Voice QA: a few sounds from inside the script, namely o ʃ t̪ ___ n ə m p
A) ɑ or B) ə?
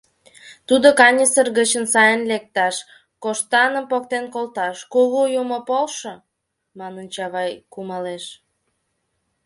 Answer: A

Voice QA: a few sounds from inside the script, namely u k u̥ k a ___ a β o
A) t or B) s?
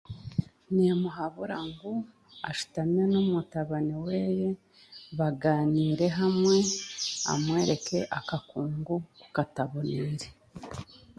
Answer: A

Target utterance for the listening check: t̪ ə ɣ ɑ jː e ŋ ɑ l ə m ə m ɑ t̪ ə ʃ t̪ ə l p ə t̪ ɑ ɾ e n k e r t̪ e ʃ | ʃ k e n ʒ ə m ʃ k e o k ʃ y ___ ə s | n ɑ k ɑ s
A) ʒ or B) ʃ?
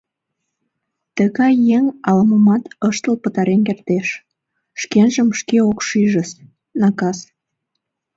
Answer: A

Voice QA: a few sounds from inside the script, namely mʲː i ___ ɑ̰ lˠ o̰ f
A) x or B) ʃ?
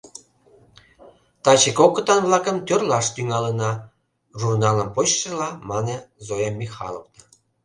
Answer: A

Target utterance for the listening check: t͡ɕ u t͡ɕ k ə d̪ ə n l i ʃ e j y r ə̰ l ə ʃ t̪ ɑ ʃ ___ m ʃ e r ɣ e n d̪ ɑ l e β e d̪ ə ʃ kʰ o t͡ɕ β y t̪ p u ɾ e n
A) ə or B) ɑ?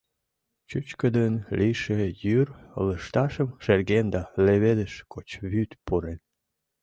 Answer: A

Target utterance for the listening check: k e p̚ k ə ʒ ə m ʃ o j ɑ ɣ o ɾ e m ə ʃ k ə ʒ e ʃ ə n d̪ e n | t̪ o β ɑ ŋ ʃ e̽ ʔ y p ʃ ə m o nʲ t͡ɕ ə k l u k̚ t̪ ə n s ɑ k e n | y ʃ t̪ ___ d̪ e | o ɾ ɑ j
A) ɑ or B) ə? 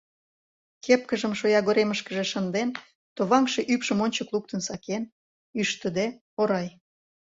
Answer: B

